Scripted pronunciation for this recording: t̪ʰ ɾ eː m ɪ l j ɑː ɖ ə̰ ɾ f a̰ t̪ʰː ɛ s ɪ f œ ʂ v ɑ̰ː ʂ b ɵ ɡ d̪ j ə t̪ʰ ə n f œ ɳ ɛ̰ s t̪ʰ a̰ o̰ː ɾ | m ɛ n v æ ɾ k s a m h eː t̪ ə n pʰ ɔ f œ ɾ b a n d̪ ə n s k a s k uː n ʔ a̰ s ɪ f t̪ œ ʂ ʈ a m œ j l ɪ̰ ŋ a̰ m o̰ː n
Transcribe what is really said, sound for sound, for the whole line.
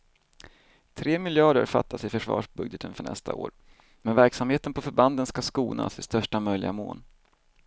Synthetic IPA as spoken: t̪ʰ ɾ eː m ɪ l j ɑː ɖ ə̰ ɾ f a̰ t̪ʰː a s ɪ f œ ʂ v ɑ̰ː ʂ b ɵ ɡ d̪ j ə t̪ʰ ə n f œ ɳ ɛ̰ s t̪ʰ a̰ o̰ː ɾ | m ɛ n v æ ɾ k s a m h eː t̪ ə n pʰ ɔ f œ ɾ b a n d̪ ə n s k a s k uː n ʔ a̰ s ɪ s t̪ œ ʂ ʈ a m œ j l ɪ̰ ɡ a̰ m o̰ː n